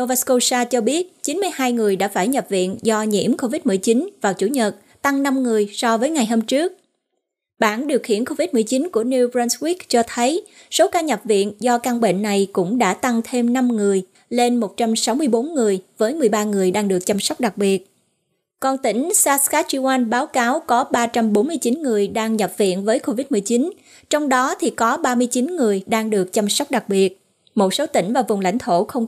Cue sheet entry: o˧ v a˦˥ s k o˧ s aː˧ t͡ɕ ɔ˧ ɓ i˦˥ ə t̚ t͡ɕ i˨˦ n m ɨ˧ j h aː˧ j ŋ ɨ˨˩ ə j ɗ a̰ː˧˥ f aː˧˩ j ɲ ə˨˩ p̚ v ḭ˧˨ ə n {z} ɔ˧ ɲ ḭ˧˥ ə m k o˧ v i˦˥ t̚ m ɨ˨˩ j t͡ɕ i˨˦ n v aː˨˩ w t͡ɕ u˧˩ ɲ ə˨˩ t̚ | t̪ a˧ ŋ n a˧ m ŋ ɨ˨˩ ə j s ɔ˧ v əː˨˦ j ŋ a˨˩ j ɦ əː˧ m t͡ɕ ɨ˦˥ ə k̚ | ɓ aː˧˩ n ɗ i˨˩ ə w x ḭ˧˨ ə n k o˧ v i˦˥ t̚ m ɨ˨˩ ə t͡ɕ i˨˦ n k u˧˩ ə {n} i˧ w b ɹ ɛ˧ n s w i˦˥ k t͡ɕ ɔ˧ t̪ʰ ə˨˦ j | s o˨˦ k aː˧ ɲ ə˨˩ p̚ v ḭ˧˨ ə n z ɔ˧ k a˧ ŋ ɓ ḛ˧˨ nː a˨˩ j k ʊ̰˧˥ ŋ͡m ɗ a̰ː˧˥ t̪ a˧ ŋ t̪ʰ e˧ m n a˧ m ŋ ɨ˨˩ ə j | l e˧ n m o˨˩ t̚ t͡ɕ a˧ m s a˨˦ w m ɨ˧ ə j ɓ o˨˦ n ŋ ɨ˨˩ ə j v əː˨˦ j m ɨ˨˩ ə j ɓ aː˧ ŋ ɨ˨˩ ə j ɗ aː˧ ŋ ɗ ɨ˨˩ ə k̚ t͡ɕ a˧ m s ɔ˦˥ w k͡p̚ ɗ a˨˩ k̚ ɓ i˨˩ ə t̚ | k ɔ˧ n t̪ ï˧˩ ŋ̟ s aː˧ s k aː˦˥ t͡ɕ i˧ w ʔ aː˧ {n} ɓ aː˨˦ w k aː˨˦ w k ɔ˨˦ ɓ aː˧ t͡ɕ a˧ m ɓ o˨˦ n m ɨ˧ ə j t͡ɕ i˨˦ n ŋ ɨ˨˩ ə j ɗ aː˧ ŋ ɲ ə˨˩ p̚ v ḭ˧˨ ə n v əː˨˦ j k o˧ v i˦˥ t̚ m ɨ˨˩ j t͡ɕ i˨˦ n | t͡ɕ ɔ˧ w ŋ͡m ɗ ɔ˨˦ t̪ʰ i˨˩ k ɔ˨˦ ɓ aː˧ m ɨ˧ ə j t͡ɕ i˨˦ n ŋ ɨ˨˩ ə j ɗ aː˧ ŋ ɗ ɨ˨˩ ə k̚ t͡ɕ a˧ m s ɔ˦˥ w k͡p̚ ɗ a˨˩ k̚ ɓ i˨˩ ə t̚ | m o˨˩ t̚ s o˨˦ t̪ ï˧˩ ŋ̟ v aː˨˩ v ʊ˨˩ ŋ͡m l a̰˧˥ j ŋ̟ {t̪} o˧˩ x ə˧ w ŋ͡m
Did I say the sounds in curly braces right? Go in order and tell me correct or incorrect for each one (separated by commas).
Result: correct, correct, correct, incorrect